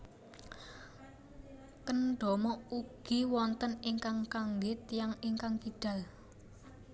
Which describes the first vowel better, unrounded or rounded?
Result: unrounded